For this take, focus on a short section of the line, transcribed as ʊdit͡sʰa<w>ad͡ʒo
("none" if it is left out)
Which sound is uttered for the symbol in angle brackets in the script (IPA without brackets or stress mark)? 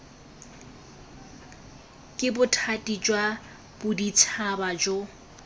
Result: b